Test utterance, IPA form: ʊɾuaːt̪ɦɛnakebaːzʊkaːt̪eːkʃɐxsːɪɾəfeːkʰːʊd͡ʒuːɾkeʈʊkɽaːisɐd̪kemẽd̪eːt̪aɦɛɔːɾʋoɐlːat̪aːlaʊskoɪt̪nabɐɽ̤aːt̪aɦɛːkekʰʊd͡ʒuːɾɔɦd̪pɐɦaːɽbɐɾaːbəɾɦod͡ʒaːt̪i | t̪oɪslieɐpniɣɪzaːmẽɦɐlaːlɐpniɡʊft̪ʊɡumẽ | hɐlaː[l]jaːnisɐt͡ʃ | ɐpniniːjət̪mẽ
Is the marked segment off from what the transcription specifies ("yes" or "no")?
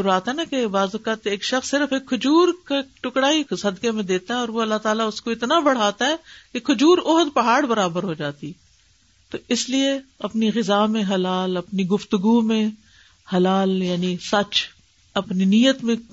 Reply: no